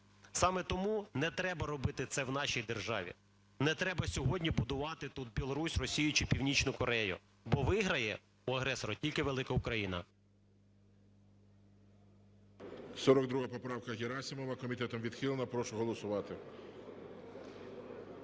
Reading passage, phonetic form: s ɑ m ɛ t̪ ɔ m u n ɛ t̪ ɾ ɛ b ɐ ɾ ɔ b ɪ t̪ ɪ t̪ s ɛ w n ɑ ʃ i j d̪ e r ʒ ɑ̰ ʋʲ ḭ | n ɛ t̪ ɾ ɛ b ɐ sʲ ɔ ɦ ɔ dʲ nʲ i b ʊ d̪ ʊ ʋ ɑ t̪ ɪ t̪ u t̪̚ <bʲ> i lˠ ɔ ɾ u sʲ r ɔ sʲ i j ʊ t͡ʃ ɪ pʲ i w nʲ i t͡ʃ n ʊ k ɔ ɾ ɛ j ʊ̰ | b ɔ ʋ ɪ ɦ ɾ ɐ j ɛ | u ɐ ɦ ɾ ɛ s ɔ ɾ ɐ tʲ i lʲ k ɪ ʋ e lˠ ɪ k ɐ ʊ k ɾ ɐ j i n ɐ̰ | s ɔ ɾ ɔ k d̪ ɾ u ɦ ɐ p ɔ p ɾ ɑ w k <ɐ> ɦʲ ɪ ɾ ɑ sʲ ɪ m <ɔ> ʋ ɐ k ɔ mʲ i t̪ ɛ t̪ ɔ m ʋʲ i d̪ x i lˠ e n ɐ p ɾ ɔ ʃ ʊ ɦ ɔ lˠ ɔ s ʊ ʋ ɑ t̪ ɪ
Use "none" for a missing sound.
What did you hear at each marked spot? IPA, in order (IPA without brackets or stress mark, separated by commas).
bʲ, ɐ, ɔ